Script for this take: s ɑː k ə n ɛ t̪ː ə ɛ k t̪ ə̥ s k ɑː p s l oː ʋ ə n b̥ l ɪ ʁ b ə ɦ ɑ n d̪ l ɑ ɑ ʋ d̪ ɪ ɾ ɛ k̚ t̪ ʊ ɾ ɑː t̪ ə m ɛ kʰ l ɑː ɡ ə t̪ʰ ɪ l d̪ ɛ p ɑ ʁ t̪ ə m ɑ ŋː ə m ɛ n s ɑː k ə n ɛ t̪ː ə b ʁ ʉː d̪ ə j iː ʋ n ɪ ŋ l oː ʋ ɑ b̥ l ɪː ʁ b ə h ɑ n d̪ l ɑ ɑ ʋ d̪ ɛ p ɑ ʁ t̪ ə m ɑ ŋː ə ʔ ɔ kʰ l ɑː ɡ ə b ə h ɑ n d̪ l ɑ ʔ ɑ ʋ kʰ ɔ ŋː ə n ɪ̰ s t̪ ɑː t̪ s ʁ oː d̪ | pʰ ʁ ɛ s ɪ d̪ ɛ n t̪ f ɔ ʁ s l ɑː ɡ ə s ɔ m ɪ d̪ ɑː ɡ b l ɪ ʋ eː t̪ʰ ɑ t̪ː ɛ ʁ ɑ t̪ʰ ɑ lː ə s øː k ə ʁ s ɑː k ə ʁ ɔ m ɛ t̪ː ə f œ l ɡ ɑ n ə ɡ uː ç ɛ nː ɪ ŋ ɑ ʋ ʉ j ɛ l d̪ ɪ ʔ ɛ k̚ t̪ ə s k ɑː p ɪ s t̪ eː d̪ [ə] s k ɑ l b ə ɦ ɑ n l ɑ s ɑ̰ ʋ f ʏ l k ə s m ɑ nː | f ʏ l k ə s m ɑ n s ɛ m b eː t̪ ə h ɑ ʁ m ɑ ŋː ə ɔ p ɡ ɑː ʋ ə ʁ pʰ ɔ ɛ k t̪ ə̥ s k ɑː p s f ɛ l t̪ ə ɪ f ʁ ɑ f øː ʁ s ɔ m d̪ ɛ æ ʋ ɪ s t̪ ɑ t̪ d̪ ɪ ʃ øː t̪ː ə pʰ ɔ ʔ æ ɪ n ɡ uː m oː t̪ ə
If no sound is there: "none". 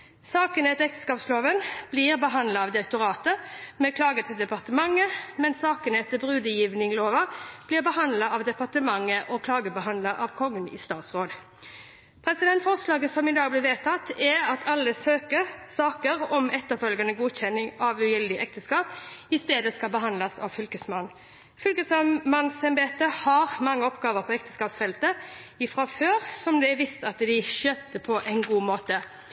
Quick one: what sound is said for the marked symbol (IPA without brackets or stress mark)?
ə